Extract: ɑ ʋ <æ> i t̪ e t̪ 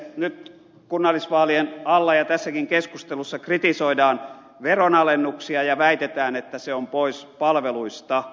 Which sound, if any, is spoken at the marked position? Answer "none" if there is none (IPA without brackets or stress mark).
æ